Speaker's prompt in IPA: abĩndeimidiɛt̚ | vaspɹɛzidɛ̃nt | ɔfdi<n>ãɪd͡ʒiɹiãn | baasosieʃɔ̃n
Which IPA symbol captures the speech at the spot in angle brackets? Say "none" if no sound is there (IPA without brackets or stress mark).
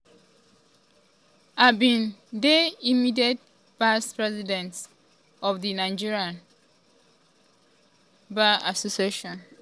n